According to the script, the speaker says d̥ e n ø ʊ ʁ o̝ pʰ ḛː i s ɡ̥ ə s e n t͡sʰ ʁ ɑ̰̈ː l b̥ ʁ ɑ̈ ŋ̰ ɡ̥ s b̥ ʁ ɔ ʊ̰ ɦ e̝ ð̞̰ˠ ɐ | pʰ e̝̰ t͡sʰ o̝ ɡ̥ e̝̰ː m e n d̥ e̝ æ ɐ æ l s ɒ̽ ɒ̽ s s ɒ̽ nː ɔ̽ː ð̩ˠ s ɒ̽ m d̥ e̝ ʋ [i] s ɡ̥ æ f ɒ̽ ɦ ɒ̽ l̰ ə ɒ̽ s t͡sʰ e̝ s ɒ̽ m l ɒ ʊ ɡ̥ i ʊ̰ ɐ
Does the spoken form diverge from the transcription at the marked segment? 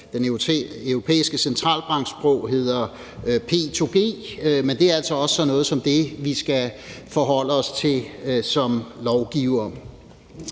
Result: no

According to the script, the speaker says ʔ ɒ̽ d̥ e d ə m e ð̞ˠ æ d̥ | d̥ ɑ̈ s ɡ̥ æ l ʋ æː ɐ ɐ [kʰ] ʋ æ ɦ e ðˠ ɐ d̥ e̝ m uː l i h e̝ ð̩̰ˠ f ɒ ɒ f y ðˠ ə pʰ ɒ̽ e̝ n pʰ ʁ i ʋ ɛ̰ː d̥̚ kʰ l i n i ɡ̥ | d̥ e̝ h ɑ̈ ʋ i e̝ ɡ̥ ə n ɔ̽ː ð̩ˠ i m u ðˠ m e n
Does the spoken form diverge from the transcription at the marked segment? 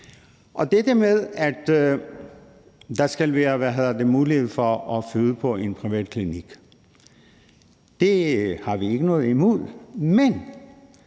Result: yes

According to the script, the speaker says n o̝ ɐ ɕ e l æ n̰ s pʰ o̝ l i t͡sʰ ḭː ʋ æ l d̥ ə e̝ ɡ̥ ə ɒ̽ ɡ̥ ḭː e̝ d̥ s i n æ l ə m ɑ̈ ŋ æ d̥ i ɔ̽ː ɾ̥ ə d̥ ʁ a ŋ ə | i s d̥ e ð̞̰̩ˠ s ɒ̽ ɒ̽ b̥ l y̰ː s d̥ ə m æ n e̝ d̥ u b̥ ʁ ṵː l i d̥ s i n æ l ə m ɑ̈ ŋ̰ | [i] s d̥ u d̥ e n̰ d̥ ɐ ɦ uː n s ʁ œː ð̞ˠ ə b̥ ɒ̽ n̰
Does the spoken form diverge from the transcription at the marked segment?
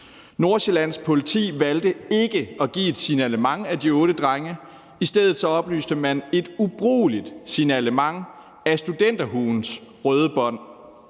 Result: yes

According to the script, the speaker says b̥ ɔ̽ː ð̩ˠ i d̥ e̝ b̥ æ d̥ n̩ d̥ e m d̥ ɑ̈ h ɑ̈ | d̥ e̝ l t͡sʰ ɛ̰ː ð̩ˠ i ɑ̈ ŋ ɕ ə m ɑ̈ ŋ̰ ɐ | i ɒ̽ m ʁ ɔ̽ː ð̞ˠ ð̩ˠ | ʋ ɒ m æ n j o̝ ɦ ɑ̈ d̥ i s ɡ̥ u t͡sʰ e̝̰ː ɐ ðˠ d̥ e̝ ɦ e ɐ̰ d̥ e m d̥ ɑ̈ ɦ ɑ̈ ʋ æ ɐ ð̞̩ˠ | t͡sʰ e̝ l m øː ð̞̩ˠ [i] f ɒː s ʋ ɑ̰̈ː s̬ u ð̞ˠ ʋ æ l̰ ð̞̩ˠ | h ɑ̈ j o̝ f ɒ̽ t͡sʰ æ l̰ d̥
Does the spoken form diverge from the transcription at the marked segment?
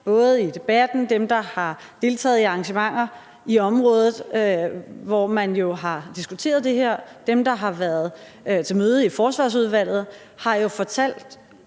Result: no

